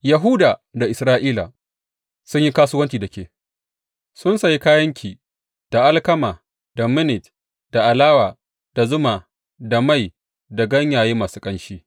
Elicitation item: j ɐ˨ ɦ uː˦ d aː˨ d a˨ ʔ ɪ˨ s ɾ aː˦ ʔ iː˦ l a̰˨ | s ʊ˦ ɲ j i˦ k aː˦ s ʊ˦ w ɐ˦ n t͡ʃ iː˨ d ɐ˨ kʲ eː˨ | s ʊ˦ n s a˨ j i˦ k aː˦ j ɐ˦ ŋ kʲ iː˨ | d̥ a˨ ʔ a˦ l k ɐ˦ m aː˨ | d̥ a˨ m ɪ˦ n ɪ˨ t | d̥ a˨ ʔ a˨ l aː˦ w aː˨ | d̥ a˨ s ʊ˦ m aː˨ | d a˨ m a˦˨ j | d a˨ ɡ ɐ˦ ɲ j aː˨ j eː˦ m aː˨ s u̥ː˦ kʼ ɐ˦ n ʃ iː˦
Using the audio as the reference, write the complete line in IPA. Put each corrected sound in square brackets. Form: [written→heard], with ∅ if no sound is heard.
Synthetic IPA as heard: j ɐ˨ ɦ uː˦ d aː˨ d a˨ ʔ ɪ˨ s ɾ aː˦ ʔ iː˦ l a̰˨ | s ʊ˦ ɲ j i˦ k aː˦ s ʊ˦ w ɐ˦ n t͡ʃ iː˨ d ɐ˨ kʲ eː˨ | s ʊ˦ n s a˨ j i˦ k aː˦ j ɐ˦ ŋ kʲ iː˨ | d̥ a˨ ʔ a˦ l k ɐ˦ m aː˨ | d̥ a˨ m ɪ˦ n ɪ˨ t | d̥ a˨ ʔ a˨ l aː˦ w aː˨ | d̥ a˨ [s→z] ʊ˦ m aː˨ | d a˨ m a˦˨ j | d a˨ ɡ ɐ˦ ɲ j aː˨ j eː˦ m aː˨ s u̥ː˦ kʼ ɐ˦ n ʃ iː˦